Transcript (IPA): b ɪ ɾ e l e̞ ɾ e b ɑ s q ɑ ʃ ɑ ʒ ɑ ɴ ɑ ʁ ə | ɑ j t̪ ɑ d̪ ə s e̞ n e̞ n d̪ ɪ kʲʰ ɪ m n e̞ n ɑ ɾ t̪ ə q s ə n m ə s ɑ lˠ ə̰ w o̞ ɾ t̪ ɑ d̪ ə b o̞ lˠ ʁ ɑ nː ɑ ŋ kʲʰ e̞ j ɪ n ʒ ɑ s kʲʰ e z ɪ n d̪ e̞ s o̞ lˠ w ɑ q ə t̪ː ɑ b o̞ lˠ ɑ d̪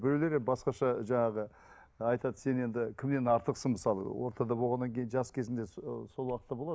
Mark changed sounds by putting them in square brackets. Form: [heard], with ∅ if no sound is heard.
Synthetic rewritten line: b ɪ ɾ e l e̞ ɾ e b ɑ s q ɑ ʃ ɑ ʒ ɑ ɴ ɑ ʁ ə | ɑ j t̪ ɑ d̪ ə s e̞ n e̞ n d̪ ɪ kʲʰ ɪ m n e̞ n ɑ ɾ t̪ ə q s ə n m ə s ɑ lˠ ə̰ w o̞ ɾ t̪ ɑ d̪ [ɑ] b o̞ lˠ ʁ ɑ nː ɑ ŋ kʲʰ e̞ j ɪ n ʒ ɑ s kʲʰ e z ɪ n d̪ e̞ s o̞ lˠ w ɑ q ə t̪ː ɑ b o̞ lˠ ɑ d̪